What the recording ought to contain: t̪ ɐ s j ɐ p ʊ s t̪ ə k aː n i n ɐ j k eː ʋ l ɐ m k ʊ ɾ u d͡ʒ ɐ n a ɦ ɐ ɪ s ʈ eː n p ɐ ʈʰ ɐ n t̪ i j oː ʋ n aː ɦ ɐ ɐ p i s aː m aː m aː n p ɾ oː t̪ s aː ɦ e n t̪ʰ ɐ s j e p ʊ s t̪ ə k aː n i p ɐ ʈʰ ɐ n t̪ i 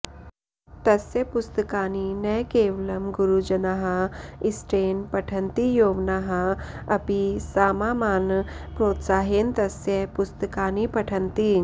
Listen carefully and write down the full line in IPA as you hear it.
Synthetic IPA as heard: t̪ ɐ s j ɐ p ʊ s t̪ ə k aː n i n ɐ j k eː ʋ l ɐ m ɡ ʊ ɾ u d͡ʒ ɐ n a ɦ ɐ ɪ s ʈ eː n p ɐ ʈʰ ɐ n t̪ i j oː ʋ n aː ɦ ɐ ɐ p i s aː m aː m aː n p ɾ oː t̪ s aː ɦ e n t̪ ɐ s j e p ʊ s t̪ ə k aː n i p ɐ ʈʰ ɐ n t̪ i

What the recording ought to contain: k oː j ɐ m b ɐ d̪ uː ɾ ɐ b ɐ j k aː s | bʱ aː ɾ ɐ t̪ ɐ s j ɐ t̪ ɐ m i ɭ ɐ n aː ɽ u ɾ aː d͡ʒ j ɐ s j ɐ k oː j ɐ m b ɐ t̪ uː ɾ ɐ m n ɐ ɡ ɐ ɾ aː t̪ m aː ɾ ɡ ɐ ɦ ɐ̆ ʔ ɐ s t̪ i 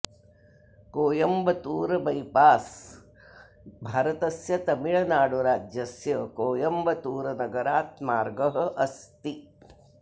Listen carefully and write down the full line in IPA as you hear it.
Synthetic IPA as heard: k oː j ɐ m b ɐ t̪ uː ɾ ɐ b ɐ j p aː s | bʱ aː ɾ ɐ t̪ ɐ s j ɐ t̪ ɐ m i ɭ ɐ n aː ɽ u ɾ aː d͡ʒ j ɐ s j ɐ k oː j ɐ m b ɐ t̪ uː ɾ ɐ n ɐ ɡ ɐ ɾ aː t̪ m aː ɾ ɡ ɐ ɦ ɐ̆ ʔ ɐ s t̪ i

